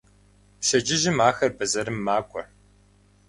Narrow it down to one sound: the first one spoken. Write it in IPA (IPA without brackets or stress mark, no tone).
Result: p